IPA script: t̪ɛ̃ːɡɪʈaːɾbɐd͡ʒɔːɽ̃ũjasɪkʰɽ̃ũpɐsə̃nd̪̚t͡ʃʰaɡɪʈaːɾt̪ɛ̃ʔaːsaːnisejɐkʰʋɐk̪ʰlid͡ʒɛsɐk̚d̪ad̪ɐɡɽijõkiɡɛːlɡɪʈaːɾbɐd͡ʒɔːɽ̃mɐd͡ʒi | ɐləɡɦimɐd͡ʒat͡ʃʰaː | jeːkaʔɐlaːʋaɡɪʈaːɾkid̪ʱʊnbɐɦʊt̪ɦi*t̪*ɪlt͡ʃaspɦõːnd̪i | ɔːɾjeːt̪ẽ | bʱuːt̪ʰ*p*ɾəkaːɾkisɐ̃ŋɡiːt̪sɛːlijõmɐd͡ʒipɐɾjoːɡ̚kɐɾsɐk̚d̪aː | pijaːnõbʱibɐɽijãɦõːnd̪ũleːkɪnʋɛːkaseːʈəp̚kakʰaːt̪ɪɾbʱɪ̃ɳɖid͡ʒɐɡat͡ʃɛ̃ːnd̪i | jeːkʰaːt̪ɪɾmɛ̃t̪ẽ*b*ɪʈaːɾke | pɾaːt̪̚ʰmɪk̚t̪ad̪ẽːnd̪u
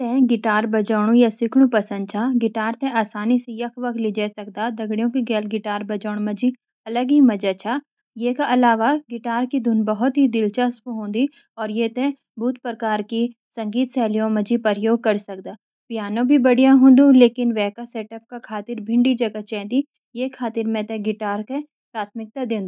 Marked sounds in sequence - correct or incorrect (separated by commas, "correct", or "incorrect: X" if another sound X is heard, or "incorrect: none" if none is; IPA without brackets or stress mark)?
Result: incorrect: d̪, correct, incorrect: ɡ